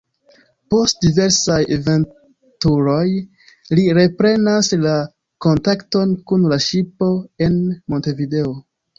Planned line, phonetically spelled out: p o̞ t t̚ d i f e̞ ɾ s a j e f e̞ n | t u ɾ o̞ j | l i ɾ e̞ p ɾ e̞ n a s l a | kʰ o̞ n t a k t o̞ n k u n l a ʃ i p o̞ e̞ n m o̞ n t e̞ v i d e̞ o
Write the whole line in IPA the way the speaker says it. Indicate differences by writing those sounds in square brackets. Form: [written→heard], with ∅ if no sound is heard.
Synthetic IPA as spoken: p o̞ [t→s] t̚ d i [f→v] e̞ ɾ s a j e [f→v] e̞ n | t u ɾ o̞ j | l i ɾ e̞ p ɾ e̞ n a s l a | [kʰ→k] o̞ n t a k t o̞ n k u n l a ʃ i p o̞ e̞ n m o̞ n t e̞ v i d e̞ o